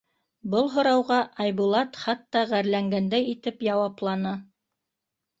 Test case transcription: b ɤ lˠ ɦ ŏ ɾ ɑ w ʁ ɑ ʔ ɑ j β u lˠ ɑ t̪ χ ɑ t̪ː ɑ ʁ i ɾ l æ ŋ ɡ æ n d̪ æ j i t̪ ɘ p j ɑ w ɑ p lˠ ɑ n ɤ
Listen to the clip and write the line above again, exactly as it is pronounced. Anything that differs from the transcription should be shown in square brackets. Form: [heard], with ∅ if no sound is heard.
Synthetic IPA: b ɤ lˠ ɦ ŏ ɾ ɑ w ʁ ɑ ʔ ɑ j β u lˠ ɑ t̪ χ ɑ t̪ː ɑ ʁ [æ] ɾ l æ ŋ ɡ æ n d̪ æ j i t̪ ɘ p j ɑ w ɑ p lˠ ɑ n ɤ